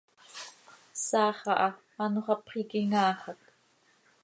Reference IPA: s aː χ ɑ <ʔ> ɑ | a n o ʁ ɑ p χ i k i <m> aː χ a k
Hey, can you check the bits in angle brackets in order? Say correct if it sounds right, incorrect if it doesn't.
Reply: correct, incorrect: ŋ

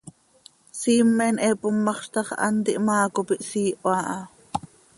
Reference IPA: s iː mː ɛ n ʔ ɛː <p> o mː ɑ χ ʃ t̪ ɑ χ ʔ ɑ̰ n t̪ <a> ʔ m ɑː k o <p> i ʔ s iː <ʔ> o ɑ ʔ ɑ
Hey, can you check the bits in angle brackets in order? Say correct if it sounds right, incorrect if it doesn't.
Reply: correct, incorrect: i, correct, correct

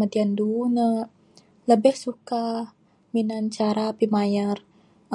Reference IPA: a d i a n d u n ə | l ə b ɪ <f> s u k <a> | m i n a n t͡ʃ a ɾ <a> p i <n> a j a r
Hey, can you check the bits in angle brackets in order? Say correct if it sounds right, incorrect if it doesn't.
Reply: incorrect: h, correct, correct, incorrect: m

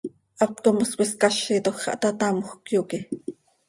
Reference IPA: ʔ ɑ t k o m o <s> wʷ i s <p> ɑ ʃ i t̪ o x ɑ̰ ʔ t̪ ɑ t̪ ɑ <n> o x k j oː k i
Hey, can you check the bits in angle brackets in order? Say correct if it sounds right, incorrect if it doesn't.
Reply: correct, incorrect: k, incorrect: m

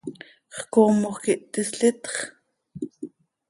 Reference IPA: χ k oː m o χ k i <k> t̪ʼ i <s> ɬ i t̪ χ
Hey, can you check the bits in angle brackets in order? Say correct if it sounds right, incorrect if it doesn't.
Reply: incorrect: ʔ, correct

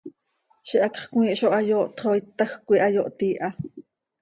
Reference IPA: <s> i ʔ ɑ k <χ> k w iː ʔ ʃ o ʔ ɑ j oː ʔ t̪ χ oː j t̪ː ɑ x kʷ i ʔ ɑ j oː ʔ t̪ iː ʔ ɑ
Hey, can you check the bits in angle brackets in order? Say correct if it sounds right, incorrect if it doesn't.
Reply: incorrect: ʃ, correct

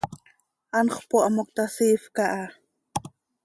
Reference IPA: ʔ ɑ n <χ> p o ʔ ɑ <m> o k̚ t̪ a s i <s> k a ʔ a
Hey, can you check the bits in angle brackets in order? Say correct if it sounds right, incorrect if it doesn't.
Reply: correct, correct, incorrect: f

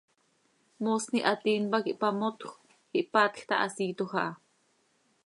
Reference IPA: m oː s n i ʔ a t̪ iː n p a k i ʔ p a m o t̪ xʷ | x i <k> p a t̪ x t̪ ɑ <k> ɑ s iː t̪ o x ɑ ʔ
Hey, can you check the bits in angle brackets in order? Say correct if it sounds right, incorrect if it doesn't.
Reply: incorrect: ʔ, incorrect: ʔ

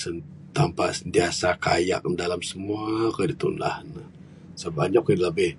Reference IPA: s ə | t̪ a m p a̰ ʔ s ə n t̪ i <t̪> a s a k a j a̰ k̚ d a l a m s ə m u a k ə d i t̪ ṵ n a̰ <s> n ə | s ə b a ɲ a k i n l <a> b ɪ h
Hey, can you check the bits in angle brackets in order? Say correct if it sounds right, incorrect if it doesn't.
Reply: incorrect: none, incorrect: h, incorrect: ə

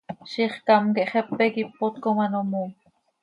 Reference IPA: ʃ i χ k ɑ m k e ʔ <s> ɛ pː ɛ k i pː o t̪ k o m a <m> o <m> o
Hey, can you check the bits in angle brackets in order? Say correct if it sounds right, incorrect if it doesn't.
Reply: incorrect: χ, incorrect: n, correct

